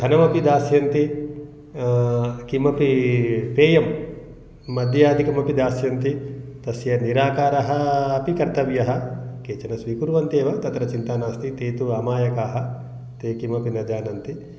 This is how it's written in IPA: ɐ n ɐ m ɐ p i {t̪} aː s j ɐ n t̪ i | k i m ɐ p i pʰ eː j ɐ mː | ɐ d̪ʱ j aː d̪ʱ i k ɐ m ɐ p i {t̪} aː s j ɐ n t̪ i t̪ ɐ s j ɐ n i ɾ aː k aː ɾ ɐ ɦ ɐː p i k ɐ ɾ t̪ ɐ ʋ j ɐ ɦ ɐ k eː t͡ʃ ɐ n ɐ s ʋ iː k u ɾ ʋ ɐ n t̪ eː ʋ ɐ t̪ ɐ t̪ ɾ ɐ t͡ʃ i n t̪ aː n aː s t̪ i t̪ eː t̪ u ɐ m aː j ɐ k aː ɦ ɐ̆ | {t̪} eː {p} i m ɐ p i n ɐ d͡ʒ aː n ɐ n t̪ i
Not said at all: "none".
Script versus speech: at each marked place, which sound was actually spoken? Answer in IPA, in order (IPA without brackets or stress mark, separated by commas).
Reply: d̪, d̪, t̪, k